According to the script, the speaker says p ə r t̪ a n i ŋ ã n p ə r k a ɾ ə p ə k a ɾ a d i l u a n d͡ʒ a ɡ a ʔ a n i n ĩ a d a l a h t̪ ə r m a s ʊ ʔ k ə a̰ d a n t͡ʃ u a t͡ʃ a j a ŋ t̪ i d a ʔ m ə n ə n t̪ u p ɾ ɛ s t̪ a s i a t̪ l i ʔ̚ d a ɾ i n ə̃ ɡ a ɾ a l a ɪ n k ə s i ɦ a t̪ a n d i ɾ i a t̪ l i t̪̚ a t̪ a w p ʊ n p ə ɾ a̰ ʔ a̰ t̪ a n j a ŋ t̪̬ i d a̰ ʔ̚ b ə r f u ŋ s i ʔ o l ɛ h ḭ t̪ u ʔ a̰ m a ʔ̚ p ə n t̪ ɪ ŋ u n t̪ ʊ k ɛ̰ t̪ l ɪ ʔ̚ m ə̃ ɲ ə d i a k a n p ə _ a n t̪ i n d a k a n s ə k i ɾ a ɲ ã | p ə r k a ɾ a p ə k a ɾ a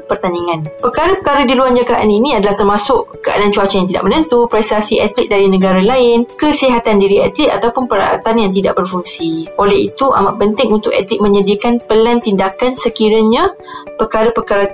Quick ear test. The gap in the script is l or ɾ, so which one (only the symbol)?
l